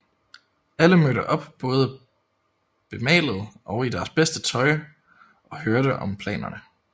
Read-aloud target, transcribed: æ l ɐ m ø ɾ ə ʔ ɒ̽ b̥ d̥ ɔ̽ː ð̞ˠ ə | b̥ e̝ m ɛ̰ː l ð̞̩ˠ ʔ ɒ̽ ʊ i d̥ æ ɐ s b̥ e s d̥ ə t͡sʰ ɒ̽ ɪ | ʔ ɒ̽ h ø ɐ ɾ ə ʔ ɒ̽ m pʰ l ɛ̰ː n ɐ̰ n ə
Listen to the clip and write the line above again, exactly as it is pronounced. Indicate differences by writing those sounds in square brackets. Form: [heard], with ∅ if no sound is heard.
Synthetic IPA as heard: æ l [ə] m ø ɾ ə ʔ ɒ̽ b̥ [b̥] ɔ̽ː ð̞ˠ ə | b̥ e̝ m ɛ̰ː l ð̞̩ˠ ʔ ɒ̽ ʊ i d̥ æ ɐ s b̥ e s d̥ ə t͡sʰ ɒ̽ ɪ | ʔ ɒ̽ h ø ɐ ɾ ə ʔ ɒ̽ m pʰ l ɛ̰ː n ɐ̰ n ə

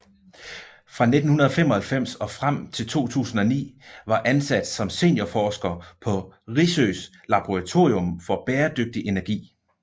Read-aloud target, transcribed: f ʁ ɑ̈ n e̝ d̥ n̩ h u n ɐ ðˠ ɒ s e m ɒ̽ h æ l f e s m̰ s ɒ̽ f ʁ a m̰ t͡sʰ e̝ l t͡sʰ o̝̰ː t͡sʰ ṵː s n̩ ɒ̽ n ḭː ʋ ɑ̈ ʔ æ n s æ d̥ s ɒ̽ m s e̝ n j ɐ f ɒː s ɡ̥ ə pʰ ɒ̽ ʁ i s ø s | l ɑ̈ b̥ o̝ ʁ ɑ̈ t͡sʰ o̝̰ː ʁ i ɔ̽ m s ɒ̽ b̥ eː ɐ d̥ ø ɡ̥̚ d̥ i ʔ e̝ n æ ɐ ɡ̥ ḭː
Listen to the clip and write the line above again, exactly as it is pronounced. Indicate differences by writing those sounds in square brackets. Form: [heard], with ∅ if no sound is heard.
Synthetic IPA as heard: f ʁ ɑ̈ n e̝ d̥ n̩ h u n ɐ ðˠ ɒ [f] e m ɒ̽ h æ l f e [∅] m̰ s ɒ̽ f ʁ a m̰ t͡sʰ e̝ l t͡sʰ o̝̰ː t͡sʰ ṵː s n̩ ɒ̽ n ḭː ʋ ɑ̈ ʔ æ n s æ d̥ s ɒ̽ m s e̝ n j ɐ f ɒː s ɡ̥ [ɐ] pʰ ɒ̽ ʁ i s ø s | l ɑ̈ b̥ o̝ ʁ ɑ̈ t͡sʰ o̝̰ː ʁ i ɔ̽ m [f] ɒ̽ b̥ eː ɐ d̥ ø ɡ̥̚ d̥ i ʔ e̝ n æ ɐ ɡ̥ ḭː

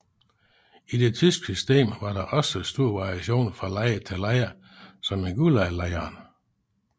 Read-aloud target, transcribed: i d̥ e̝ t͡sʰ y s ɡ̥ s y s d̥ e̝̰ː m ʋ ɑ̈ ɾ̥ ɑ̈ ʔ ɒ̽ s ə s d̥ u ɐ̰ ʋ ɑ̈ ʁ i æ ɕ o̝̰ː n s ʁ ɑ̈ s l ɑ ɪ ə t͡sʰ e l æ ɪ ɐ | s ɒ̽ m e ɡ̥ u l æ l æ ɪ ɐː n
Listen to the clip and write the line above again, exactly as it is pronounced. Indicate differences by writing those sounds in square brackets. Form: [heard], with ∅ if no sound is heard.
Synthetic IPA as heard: i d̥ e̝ t͡sʰ y s ɡ̥ s y s d̥ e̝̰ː m ʋ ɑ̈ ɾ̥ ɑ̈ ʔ ɒ̽ s ə s d̥ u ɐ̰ ʋ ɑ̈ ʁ i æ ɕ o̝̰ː n [f] ʁ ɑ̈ [∅] l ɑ ɪ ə t͡sʰ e l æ ɪ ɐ | s ɒ̽ m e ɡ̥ u l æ l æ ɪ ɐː n

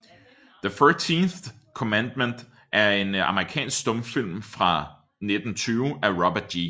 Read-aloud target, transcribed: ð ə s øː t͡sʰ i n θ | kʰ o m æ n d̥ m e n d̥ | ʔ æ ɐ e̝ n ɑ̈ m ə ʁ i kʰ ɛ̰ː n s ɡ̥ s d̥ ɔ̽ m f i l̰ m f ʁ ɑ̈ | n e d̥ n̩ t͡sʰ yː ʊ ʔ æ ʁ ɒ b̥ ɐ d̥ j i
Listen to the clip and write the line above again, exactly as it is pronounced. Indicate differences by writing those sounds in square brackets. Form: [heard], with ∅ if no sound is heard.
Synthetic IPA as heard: ð ə [f] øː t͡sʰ i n θ | kʰ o m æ n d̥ m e n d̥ | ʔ æ ɐ e̝ n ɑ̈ m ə ʁ i kʰ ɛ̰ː n s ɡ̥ s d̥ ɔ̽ m f i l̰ m f ʁ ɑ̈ | n e d̥ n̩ t͡sʰ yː ʊ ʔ æ ʁ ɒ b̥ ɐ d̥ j i

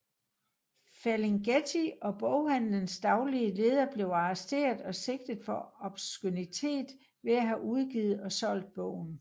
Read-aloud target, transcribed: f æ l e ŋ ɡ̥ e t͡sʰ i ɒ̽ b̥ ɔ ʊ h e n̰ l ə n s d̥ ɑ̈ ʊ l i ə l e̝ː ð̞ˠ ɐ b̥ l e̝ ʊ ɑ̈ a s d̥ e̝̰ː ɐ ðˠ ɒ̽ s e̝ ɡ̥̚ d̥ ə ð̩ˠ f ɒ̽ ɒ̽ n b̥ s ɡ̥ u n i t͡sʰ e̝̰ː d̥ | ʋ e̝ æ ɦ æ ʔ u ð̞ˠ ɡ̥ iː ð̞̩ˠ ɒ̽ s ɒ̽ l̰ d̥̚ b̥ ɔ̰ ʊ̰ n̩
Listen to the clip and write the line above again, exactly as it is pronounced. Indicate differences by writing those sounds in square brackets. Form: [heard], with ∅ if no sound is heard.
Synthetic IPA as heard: f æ l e ŋ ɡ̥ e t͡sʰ i ɒ̽ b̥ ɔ ʊ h [æ] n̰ l ə n s d̥ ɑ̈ ʊ l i ə l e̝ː ð̞ˠ ɐ b̥ l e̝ ʊ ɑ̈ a s d̥ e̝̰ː ɐ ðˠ ɒ̽ s e̝ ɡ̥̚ d̥ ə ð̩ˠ f ɒ̽ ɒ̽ [∅] b̥ s ɡ̥ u n i t͡sʰ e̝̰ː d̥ | ʋ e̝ æ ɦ æ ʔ u ð̞ˠ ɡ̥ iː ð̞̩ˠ ɒ̽ s ɒ̽ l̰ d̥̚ b̥ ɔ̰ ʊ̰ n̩

